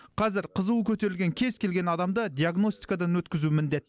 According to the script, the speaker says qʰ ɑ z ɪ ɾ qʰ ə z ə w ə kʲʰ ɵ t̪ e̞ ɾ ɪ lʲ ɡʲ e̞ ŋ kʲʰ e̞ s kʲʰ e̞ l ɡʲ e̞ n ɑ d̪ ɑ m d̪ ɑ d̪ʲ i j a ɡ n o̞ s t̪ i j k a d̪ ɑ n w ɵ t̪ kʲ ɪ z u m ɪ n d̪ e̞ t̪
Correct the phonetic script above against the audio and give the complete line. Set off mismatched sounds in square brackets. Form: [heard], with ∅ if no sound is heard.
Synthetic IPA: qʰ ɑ z ɪ ɾ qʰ ə z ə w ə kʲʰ ɵ t̪ e̞ ɾ ɪ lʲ ɡʲ e̞ ŋ kʲʰ e̞ [z] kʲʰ e̞ l ɡʲ e̞ n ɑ d̪ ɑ m d̪ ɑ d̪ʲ i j a ɡ n o̞ s t̪ i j k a d̪ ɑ n w ɵ t̪ kʲ ɪ z u m ɪ n d̪ e̞ t̪